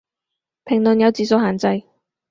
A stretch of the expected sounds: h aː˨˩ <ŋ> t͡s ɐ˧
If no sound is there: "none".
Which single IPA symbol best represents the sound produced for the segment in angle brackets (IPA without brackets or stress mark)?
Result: n